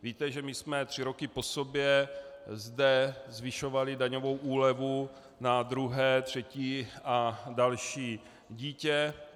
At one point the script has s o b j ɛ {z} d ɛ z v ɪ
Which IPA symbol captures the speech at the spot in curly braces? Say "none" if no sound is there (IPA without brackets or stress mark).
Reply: z